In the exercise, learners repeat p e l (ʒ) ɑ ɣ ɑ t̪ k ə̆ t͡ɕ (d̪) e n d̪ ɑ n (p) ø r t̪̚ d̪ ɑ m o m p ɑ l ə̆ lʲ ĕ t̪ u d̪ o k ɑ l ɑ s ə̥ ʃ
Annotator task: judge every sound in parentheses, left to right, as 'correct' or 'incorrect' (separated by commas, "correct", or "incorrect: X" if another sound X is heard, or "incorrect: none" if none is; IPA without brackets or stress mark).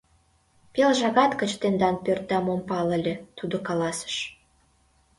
correct, incorrect: t̪, correct